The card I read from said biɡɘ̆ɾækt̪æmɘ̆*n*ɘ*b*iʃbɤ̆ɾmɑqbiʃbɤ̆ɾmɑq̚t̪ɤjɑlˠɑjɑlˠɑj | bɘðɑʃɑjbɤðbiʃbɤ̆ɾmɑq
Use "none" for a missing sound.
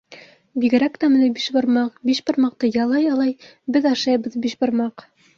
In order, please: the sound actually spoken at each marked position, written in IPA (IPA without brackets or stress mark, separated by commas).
n, b